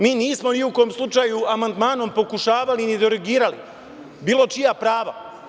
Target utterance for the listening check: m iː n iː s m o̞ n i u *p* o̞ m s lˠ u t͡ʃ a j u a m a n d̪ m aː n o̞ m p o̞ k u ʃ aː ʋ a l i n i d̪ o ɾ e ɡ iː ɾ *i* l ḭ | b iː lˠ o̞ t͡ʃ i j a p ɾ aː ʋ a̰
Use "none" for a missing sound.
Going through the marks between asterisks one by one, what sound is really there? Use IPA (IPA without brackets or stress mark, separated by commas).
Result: k, a